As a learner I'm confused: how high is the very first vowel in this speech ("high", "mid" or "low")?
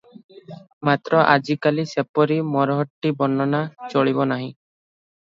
low